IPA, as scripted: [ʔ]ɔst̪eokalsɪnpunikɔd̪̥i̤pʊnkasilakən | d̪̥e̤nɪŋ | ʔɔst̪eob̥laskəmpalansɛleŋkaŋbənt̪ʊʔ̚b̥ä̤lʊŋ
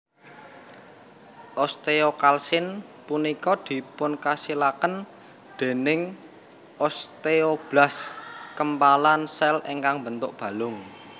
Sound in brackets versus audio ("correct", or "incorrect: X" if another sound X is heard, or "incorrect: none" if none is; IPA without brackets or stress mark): correct